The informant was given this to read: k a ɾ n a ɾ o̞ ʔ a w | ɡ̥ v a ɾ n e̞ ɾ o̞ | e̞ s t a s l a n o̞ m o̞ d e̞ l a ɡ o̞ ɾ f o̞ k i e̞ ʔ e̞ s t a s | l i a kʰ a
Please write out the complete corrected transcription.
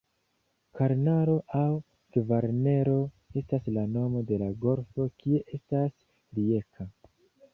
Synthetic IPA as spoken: k a ɾ n a ɾ o̞ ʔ a w | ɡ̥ v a ɾ n e̞ ɾ o̞ | e̞ s t a s l a n o̞ m o̞ d e̞ l a ɡ o̞ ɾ f o̞ k i e̞ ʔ e̞ s t a s | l i e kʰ a